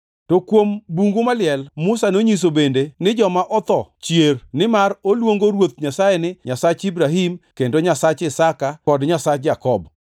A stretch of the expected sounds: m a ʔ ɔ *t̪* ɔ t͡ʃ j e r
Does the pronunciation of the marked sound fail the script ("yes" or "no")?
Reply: no